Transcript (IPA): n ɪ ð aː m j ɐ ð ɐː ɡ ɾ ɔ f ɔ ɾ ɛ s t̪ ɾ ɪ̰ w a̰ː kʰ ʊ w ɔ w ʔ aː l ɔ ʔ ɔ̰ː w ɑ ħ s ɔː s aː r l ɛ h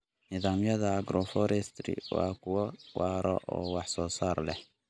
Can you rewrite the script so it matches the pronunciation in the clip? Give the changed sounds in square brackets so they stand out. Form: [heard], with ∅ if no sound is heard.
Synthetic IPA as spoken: n ɪ ð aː m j ɐ ð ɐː ɡ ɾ ɔ f ɔ ɾ ɛ s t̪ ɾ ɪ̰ w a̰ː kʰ ʊ w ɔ w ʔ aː [ɾ] ɔ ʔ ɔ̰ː w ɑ ħ s ɔː s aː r l ɛ h